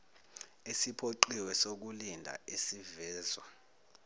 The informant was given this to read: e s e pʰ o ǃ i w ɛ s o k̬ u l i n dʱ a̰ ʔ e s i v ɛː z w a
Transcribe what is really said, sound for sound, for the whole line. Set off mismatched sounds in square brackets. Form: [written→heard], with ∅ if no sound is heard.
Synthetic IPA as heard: e s [e→i] pʰ o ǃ i w ɛ s o k̬ u l i n dʱ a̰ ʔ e s i v ɛː z w a